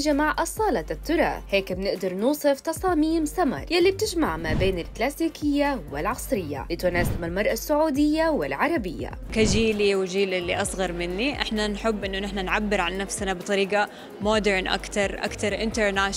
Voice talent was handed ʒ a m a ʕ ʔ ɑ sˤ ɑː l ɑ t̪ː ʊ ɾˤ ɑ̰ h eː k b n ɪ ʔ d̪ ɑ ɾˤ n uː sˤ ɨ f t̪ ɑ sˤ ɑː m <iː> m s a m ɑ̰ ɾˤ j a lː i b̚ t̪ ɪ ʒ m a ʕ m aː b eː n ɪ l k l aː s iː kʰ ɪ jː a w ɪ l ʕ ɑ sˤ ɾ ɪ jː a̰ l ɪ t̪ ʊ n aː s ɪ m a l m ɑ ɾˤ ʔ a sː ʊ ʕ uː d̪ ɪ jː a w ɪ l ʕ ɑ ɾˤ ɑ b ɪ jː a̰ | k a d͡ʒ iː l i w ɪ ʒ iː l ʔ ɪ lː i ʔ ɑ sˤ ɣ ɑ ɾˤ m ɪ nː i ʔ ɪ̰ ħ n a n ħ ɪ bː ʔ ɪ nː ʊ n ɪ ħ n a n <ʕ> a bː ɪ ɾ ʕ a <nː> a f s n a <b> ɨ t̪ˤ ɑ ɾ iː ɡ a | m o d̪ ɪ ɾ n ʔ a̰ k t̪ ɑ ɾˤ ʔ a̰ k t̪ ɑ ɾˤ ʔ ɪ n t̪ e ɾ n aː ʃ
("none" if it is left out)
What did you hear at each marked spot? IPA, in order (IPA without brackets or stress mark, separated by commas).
iː, ʕ, nː, b